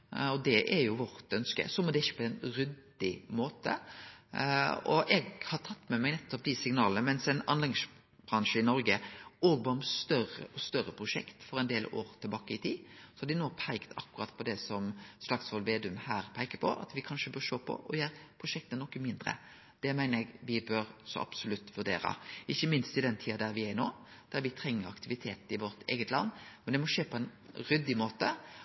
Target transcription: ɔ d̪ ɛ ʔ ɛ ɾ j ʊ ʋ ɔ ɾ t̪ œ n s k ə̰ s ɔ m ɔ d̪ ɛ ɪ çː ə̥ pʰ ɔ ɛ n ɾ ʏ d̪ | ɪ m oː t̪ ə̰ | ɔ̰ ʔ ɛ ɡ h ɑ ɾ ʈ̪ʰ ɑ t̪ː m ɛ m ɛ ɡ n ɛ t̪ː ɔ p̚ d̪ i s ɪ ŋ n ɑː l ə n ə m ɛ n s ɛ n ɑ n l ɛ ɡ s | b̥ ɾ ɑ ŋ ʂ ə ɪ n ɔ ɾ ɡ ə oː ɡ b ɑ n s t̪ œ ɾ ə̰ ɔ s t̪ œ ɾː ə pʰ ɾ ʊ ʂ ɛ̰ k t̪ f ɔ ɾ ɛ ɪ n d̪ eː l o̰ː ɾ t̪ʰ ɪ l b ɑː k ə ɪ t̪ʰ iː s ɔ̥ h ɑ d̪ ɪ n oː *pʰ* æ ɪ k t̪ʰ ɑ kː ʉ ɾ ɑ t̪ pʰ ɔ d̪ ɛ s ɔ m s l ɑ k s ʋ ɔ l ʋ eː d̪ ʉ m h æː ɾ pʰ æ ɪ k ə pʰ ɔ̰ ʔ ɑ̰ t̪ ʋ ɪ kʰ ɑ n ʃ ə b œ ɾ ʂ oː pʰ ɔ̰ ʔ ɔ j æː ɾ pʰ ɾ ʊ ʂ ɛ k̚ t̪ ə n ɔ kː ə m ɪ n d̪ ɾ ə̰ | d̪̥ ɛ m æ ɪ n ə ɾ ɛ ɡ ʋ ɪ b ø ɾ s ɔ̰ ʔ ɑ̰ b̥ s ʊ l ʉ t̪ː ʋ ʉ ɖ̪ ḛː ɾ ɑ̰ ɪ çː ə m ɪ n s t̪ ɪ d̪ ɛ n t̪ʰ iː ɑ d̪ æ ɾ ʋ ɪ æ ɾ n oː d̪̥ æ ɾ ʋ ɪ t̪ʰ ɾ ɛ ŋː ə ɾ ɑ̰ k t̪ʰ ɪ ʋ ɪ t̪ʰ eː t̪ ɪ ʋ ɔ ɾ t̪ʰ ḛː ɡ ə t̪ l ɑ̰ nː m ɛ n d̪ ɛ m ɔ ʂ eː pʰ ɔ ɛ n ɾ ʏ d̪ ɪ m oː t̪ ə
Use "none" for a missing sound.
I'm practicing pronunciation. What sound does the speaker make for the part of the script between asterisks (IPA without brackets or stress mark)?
pʰ